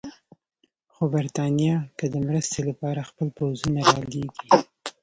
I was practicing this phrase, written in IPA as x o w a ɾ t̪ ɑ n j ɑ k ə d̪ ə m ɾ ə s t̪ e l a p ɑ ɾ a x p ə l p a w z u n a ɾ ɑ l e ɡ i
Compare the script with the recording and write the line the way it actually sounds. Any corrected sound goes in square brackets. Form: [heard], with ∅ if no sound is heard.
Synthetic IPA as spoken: x o [b] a ɾ t̪ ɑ n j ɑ k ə d̪ ə m ɾ ə s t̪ e l a p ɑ ɾ a x p ə l p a w z u n a ɾ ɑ l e ɡ i